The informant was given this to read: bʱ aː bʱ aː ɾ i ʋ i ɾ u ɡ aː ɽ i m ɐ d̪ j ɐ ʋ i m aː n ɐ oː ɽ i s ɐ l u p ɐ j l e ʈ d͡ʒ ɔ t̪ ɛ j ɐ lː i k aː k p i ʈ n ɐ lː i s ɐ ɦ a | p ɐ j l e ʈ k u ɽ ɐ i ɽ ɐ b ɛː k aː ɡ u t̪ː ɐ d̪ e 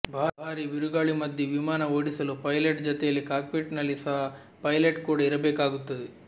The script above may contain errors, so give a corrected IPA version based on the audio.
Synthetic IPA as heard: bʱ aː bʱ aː ɾ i ʋ i ɾ u ɡ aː ɭ i m ɐ d̪ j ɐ ʋ i m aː n ɐ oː ɽ i s ɐ l u p ɐ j l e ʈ d͡ʒ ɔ t̪ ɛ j ɐ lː i k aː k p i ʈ n ɐ lː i s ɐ ɦ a | p ɐ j l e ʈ k uː ɽ ɐ i ɾ ɐ b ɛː k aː ɡ u t̪ː ɐ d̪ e